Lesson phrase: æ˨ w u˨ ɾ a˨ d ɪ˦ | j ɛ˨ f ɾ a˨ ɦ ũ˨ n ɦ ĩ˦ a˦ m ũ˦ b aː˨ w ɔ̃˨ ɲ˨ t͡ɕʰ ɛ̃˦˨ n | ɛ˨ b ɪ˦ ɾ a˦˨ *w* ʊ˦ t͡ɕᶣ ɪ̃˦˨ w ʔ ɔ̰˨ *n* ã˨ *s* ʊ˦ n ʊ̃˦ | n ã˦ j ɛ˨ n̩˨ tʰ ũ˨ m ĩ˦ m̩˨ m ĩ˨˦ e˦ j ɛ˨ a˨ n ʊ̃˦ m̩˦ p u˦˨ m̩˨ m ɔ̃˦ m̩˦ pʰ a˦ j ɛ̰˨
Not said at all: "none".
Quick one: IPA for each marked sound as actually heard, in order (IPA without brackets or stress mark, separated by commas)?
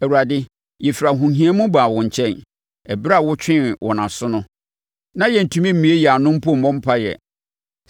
w, n, s